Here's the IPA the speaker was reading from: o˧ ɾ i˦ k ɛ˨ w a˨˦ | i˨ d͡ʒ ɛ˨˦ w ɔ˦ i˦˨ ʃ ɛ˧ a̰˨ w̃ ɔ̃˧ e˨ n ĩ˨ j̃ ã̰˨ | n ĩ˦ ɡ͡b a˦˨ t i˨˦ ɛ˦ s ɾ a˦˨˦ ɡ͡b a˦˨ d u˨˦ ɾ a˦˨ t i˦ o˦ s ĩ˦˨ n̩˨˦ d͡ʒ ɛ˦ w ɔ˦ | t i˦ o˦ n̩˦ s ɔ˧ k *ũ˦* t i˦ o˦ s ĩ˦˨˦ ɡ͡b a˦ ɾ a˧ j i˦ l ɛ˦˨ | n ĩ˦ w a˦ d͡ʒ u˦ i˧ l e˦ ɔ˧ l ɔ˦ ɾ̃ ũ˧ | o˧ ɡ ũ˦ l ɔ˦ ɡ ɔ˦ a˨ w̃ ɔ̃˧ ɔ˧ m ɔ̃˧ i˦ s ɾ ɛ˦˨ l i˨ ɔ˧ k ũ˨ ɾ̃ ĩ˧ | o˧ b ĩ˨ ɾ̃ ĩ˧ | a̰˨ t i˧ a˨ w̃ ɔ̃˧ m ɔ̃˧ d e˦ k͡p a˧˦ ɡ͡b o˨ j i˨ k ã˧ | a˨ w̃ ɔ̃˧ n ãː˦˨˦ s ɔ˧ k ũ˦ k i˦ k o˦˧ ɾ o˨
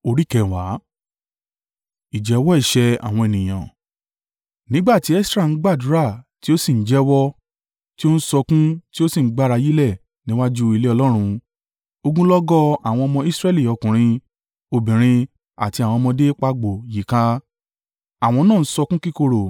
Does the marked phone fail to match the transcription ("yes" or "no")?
no